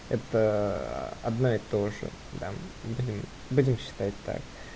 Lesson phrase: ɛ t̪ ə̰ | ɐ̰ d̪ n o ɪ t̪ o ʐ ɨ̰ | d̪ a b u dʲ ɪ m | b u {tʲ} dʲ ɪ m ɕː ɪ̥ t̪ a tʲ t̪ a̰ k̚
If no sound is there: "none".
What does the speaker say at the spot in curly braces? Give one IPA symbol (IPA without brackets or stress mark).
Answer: none